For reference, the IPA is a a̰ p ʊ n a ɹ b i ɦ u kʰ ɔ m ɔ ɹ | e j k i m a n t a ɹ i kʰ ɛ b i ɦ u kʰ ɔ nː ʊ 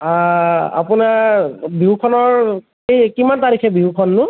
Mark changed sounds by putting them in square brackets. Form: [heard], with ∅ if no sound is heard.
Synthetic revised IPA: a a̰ p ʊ n a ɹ b i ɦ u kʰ ɔ [n] ɔ ɹ | e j k i m a n t a ɹ i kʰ ɛ b i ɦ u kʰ ɔ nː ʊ